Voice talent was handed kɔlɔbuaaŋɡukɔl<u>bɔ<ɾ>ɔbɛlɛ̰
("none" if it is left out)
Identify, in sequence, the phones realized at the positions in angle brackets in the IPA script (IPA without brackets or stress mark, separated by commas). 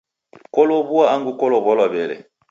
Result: ɔ, l